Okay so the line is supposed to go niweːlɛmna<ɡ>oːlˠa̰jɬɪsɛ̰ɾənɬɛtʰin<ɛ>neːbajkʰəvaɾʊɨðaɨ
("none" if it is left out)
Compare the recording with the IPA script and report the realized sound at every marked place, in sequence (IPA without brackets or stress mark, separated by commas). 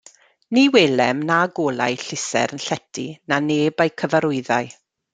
ɡ, a